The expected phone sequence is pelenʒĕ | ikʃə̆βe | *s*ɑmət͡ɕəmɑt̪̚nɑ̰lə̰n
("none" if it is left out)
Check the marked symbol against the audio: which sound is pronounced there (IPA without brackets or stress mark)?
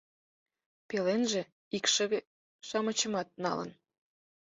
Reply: ʃ